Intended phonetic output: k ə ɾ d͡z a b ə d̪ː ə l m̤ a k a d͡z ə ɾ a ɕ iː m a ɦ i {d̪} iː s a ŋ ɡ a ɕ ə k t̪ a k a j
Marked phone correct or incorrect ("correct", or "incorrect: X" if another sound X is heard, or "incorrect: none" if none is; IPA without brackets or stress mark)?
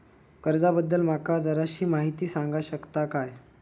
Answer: incorrect: t̪